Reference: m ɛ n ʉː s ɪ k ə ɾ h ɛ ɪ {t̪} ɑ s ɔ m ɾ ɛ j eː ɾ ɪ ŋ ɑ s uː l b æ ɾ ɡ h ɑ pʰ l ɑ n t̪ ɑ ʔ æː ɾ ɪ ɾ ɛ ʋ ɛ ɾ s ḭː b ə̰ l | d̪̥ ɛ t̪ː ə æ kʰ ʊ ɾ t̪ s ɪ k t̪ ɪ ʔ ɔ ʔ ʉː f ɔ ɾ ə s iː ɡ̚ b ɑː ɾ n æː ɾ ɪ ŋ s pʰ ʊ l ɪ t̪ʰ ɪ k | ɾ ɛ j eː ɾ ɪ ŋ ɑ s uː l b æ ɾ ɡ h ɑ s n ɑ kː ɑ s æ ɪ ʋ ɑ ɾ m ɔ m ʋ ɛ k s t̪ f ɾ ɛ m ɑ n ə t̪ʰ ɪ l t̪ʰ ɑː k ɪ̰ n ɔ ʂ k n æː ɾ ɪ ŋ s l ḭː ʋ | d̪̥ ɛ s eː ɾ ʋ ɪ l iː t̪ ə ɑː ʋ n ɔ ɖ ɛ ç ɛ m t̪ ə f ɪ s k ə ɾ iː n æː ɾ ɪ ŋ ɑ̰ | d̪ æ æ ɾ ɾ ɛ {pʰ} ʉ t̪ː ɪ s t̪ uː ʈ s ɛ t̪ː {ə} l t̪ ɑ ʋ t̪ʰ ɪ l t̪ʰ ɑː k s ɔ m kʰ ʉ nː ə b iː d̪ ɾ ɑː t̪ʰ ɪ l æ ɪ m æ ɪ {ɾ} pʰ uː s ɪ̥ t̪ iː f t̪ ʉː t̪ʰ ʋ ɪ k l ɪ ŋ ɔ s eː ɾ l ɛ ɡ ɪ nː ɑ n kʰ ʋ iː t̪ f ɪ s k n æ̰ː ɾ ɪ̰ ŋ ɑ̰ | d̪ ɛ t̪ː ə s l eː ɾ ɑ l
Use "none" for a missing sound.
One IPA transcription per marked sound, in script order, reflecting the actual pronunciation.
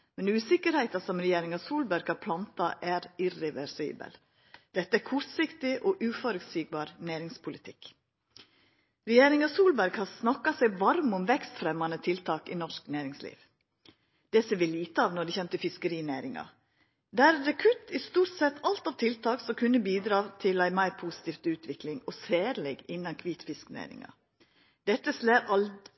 t̪, kʰ, ɑ, ɾ

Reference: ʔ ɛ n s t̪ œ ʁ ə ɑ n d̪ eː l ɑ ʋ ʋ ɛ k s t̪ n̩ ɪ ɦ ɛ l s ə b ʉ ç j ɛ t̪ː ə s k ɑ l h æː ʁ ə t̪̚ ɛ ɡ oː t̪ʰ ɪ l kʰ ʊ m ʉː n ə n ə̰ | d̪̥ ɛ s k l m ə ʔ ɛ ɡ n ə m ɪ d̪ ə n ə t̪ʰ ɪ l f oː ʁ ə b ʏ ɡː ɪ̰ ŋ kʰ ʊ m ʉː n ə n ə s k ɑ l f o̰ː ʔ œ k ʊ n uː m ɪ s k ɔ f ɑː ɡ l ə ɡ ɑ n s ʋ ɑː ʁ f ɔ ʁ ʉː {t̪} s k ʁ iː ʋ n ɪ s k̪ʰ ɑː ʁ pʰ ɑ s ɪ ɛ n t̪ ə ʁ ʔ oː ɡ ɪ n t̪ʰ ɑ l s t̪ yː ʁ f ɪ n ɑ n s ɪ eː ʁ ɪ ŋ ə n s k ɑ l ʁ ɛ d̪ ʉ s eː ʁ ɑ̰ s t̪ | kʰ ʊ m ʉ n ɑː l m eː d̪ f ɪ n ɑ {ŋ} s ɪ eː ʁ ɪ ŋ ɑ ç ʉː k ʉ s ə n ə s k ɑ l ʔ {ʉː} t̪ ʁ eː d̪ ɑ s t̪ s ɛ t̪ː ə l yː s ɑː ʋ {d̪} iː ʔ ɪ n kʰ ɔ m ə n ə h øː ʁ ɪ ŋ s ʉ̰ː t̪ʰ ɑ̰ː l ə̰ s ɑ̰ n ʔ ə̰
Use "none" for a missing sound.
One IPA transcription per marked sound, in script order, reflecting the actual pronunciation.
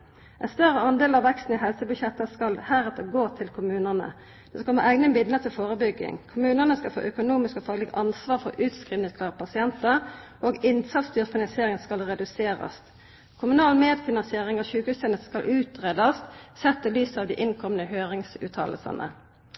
t̪, n, ʉː, d̪

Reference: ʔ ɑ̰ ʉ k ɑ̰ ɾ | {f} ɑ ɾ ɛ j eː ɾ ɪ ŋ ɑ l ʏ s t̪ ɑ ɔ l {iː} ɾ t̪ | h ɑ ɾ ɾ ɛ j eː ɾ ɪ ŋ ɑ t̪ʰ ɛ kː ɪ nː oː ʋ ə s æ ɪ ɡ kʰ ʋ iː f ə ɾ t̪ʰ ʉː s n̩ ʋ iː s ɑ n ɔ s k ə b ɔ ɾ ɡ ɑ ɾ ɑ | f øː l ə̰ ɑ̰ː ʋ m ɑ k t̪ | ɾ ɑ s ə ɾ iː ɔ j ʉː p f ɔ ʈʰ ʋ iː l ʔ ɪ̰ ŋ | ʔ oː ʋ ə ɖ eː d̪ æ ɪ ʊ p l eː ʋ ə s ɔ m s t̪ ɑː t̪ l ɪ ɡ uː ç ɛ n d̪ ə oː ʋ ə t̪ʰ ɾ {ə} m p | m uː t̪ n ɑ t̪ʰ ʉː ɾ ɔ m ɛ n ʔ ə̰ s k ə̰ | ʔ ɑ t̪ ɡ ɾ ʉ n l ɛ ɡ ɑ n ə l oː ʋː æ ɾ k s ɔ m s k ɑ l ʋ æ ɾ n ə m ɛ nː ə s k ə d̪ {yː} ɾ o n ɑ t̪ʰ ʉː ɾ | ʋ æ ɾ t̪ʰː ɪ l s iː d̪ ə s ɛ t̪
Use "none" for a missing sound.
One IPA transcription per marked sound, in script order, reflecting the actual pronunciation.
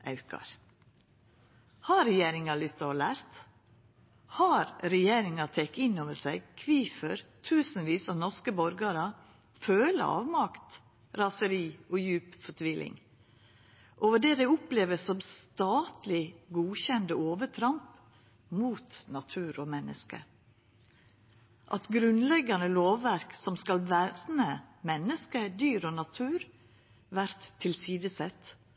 h, æː, ɑ, yː

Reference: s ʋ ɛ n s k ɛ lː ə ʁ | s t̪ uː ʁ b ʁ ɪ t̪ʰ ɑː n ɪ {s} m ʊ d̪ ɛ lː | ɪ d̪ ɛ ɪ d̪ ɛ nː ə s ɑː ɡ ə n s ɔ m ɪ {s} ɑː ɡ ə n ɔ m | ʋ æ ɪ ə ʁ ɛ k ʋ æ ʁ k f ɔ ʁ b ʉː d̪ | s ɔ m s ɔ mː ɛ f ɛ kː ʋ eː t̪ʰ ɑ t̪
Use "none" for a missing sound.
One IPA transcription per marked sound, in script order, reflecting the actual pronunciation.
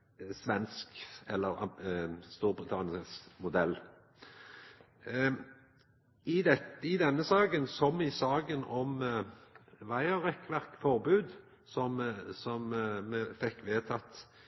s, s

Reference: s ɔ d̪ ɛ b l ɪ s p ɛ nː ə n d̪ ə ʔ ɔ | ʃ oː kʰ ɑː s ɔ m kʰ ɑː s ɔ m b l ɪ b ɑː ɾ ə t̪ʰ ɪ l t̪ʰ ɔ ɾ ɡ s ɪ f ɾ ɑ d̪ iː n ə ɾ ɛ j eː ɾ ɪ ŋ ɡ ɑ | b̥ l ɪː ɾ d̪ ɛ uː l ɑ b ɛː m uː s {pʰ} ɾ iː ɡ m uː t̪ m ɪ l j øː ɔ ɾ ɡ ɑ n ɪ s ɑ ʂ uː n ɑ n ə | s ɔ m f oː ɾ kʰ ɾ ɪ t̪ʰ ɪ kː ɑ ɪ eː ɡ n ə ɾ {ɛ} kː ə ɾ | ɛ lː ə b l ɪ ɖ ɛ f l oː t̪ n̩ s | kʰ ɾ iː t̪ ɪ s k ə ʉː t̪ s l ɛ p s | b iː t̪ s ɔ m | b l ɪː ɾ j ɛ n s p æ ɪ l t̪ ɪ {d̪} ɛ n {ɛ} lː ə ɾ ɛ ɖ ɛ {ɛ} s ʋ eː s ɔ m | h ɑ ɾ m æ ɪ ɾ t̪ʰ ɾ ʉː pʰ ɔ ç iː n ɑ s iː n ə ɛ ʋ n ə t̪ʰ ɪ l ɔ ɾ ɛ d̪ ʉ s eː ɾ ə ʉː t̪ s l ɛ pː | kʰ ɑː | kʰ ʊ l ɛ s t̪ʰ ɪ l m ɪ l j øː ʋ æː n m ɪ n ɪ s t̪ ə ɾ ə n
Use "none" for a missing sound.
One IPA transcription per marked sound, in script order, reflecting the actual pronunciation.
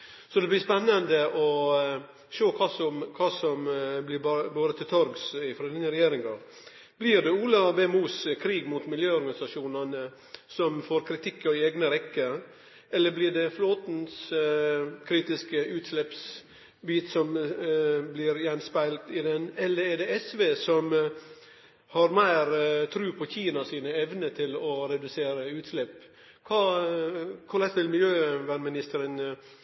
kʰ, ɛ, d̪, ɛ, ɛ

